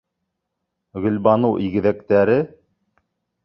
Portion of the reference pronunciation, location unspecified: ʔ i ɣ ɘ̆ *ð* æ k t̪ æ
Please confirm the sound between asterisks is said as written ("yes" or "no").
yes